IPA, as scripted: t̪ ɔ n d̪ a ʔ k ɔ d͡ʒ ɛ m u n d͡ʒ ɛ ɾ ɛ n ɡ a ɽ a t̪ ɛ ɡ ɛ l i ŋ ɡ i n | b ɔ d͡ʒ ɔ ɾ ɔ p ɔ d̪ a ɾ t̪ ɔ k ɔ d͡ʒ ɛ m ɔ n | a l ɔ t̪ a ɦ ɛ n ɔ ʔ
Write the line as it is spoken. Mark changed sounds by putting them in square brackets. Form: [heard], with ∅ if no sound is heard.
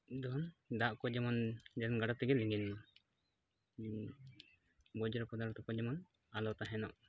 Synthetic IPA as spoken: [d̪] ɔ n d̪ a ʔ k ɔ d͡ʒ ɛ m [ɔ] n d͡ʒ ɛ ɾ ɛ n ɡ a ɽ a t̪ ɛ ɡ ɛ l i ŋ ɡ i n | b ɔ d͡ʒ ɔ ɾ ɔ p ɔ d̪ a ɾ t̪ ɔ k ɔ d͡ʒ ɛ m ɔ n | a l ɔ t̪ a ɦ ɛ n ɔ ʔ